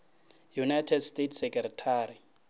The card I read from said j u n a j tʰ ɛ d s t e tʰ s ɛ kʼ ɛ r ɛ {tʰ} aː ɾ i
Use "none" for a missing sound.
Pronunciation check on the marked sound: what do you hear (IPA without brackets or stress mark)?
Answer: tʰ